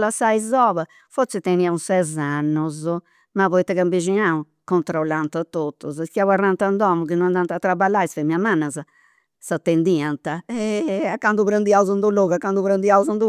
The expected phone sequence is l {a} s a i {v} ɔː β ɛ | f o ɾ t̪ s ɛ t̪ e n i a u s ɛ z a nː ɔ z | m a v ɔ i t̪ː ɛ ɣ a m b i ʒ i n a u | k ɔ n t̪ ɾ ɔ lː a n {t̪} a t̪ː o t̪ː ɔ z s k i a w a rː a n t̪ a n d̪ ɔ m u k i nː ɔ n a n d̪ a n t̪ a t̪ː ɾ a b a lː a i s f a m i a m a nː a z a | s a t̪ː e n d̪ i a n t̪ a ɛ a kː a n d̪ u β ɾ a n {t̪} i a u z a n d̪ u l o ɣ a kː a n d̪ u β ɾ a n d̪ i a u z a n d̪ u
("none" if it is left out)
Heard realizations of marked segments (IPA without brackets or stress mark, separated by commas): a, z, t̪, d̪